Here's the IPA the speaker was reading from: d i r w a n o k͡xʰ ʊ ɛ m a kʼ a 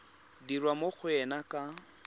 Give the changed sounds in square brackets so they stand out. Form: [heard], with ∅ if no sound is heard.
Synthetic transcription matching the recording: d i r w a [m] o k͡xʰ ʊ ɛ [n] a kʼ a